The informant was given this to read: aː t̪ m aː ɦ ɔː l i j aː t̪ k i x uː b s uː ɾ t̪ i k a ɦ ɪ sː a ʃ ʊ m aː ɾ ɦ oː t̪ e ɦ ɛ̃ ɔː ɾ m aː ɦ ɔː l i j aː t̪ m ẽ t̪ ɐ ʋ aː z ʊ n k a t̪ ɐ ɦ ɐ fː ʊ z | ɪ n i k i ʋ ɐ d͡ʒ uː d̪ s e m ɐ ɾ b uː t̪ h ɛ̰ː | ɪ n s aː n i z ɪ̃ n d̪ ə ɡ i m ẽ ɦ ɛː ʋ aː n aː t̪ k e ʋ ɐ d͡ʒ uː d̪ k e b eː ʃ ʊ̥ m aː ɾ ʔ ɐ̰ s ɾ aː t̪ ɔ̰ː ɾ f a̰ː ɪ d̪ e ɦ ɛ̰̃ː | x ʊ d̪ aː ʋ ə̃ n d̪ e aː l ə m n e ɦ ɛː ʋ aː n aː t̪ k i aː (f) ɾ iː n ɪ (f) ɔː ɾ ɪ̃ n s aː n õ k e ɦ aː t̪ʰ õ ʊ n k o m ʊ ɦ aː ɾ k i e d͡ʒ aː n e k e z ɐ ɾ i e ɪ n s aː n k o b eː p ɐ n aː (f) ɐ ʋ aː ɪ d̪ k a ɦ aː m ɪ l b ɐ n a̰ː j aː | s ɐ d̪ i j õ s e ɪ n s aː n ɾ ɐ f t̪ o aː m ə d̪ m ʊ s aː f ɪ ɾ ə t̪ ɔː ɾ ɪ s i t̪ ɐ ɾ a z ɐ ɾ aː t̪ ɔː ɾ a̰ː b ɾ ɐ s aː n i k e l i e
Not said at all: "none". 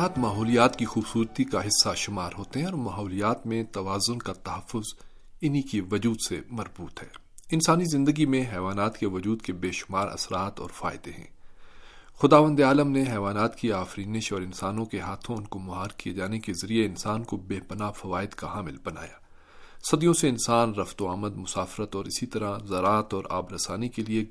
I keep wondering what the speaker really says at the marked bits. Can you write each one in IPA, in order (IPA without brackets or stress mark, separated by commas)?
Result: f, ʃ, f